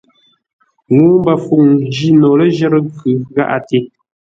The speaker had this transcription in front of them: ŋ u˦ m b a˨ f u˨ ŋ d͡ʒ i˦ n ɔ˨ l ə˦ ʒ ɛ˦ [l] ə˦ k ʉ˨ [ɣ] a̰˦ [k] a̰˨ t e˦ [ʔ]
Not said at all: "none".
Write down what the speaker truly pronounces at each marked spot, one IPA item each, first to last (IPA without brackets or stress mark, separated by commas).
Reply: ɾ, ɣ, ʔ, none